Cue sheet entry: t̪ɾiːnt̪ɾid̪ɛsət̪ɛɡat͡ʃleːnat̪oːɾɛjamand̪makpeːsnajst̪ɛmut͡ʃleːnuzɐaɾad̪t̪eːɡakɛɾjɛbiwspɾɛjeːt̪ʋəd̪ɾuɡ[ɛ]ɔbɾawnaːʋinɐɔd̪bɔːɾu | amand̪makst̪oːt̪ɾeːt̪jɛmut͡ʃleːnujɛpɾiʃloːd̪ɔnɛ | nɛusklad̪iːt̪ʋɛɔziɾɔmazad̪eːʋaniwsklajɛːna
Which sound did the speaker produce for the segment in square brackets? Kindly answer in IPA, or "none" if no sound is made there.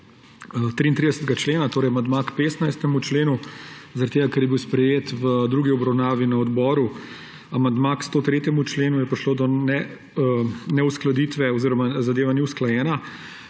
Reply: i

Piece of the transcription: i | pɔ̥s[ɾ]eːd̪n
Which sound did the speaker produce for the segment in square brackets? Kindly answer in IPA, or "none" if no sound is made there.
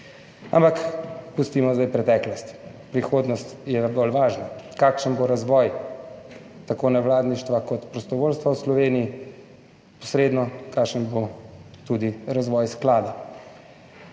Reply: ɾ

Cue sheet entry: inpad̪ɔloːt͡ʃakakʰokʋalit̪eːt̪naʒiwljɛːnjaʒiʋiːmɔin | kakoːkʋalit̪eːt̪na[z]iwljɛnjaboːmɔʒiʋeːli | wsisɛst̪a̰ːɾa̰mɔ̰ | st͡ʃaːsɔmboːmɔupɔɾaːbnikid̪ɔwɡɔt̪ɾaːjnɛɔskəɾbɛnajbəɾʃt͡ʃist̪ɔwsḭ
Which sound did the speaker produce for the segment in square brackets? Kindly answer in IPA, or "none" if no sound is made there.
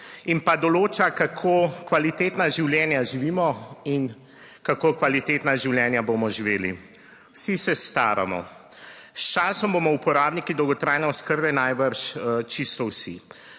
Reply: ʒ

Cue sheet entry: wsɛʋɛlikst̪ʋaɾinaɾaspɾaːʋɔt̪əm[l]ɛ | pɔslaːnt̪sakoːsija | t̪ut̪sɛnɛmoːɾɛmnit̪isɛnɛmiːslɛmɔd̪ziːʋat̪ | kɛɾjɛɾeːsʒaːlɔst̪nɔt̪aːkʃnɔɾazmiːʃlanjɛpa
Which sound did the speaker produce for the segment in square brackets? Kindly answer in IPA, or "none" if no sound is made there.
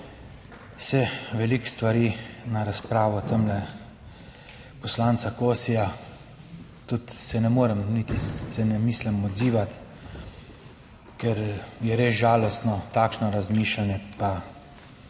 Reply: l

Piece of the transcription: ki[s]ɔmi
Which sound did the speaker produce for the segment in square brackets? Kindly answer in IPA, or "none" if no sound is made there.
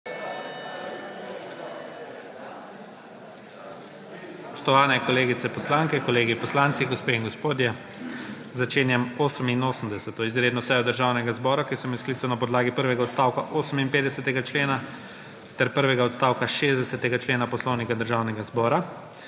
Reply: s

